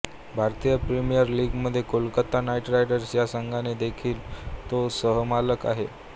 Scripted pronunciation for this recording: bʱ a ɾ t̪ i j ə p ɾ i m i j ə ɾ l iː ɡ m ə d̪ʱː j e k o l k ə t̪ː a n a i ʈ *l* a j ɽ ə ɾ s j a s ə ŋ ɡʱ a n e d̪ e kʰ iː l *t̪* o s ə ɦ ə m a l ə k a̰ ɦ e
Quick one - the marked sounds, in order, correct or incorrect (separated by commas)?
incorrect, correct